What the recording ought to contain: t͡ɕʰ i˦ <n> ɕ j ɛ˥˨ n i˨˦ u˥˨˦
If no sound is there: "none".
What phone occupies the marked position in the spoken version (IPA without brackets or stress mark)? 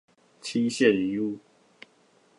none